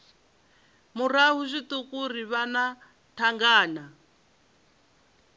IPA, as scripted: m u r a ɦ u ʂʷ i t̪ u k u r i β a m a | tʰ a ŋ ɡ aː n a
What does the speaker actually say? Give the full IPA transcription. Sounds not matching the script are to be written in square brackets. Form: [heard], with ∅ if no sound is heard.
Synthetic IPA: m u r a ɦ u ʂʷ i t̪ u k u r i β a [n] a | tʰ a ŋ ɡ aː n a